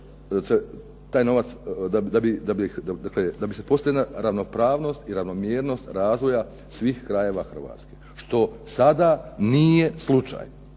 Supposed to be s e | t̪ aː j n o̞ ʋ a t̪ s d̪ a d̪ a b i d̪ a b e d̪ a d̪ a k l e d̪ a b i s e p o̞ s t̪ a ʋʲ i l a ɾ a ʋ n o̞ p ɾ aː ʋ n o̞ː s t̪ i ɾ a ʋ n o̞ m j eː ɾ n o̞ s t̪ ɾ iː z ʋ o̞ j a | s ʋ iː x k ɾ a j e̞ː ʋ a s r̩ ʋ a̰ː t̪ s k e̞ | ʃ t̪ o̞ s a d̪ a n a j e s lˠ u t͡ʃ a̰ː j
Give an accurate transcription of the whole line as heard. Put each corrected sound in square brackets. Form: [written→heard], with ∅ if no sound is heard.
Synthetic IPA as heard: s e | t̪ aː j n o̞ ʋ a t̪ s d̪ a d̪ a b i d̪ a b [e→i] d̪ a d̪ a k l e d̪ a b i s e p o̞ s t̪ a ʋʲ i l a ɾ a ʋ n o̞ p ɾ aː ʋ n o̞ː s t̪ i ɾ a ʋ n o̞ m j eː ɾ n o̞ s t̪ ɾ [iː→aː] z ʋ o̞ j a | s ʋ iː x k ɾ a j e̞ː ʋ a [s→x] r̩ ʋ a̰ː t̪ s k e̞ | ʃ t̪ o̞ s a d̪ a n [a→i] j e s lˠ u t͡ʃ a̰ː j